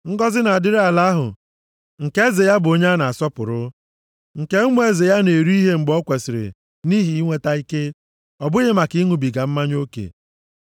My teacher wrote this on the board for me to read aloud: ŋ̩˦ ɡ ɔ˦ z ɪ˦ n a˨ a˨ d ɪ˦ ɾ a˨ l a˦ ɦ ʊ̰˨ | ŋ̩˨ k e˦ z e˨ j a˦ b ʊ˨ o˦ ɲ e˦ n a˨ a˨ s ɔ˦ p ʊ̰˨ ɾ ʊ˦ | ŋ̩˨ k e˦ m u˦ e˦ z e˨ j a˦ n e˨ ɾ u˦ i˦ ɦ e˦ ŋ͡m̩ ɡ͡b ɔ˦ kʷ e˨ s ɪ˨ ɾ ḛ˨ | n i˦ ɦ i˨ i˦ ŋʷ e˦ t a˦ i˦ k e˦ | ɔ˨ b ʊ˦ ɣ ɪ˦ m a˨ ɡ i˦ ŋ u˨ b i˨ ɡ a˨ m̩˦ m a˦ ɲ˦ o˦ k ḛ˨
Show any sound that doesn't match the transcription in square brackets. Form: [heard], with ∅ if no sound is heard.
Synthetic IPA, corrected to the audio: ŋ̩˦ ɡ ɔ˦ z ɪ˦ n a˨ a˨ d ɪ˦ ɾ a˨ l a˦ ɦ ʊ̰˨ | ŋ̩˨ k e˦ z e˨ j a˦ b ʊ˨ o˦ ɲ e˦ n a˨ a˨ s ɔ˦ p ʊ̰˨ ɾ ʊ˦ | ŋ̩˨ k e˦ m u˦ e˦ z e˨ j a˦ n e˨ ɾ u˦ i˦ ɦ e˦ ŋ͡m̩ ɡ͡b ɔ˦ kʷ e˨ s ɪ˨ ɾ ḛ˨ | n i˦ ɦ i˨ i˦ ŋʷ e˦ t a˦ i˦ k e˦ | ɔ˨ b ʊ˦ ɣ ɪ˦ m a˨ [k] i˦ ŋ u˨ b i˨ ɡ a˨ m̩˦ m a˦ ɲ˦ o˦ k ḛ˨